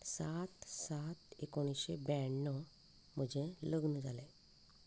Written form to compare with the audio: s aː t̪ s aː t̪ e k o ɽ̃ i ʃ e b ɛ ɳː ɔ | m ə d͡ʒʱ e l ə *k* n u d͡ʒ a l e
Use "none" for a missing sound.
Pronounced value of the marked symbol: ɡ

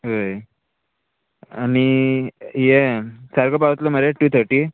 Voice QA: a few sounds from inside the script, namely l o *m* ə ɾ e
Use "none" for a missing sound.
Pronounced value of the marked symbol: m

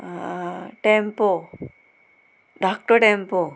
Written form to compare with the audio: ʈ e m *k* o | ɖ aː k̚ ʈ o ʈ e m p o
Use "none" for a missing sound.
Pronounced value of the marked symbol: p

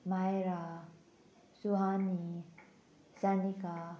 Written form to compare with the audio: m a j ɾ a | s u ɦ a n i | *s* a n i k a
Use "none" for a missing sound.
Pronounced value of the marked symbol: s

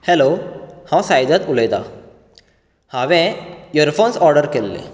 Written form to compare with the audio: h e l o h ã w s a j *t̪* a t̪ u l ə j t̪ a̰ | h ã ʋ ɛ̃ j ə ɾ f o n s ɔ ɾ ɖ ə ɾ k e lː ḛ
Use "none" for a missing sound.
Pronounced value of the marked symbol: d̪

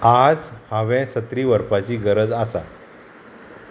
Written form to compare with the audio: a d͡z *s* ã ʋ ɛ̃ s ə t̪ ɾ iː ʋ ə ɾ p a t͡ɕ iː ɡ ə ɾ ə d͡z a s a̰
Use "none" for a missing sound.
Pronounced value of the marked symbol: h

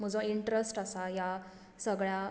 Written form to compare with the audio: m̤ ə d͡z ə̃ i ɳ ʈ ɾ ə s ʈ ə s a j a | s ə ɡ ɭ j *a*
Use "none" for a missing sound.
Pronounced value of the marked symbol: a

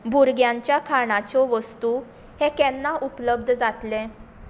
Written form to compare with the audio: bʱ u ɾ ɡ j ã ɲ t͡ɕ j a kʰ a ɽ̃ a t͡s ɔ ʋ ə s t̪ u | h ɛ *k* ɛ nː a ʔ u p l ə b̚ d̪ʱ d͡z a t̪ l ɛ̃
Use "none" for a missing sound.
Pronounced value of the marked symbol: k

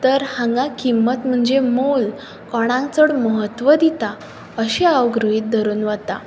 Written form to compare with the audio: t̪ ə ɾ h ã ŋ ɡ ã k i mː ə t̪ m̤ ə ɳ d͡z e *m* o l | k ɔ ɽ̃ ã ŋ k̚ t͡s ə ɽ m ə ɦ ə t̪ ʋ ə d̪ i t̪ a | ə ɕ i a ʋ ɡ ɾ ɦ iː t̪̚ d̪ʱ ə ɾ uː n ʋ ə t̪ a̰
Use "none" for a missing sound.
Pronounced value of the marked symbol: m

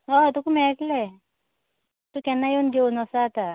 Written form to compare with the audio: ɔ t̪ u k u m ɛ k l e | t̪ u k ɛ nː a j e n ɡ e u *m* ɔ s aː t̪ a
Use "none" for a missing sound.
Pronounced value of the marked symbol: n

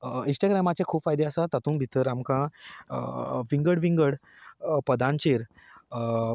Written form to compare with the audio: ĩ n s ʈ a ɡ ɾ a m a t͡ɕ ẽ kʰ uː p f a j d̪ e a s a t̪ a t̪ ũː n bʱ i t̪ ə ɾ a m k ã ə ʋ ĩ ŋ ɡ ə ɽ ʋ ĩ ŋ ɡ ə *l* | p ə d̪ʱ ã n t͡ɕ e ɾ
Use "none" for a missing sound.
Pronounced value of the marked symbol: ɽ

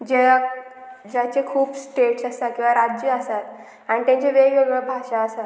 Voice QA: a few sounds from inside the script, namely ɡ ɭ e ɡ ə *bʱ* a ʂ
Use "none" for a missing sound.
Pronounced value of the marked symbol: bʱ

